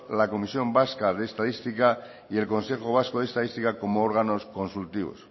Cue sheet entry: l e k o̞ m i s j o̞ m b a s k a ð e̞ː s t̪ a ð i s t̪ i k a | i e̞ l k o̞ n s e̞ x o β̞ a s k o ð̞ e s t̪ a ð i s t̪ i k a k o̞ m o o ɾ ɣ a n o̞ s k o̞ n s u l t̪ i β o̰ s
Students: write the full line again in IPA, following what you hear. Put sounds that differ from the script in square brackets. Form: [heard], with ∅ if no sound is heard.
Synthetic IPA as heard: l [a] k o̞ m i s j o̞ m b a s k a ð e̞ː s t̪ a ð i s t̪ i k a | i e̞ l k o̞ n s e̞ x o β̞ a s k o ð̞ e s t̪ a ð i s t̪ i k a k o̞ m o o ɾ ɣ a n o̞ s k o̞ n s u l t̪ i β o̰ s